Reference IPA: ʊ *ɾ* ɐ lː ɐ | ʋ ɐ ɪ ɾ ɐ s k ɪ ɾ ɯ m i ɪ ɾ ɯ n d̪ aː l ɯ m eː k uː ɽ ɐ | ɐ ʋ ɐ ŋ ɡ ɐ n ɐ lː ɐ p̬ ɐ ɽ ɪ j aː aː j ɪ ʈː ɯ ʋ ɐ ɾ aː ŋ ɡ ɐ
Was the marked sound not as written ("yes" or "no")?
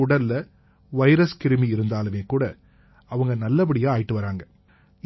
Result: yes